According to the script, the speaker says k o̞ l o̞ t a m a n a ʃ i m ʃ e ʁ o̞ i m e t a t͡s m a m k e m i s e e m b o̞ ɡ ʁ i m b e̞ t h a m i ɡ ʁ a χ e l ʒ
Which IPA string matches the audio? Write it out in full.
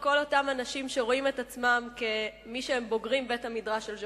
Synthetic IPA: k o̞ l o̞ t a m a n a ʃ i m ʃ e ʁ o̞ i m e t a t͡s m a m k e m i ʃ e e m b o̞ ɡ ʁ i m b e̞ t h a m i d ʁ a ʃ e l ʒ

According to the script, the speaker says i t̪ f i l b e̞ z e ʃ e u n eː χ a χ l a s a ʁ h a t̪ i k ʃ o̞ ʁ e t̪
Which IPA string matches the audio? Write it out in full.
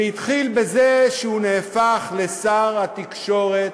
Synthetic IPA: i t̪ χ i l b e̞ z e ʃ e u n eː f a χ l e s a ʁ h a t̪ i k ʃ o̞ ʁ e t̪

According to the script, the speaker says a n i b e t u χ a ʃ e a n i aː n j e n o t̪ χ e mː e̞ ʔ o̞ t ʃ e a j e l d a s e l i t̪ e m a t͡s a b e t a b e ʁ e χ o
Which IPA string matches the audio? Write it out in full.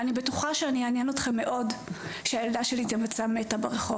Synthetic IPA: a n i b e t u χ a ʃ e a n i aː n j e n o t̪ χ e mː e̞ ʔ o̞ d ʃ e a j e l d a ʃ e l i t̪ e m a t͡s a m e t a b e ʁ e χ o

